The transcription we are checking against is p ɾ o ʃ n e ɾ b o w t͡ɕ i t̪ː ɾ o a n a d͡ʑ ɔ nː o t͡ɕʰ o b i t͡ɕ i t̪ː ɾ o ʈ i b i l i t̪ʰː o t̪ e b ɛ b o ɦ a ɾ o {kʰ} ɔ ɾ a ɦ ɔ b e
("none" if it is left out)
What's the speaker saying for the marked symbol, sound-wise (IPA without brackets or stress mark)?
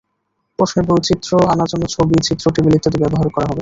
k